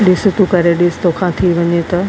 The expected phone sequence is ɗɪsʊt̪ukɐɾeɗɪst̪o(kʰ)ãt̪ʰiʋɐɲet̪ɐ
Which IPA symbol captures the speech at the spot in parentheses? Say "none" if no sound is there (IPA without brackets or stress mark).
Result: kʰ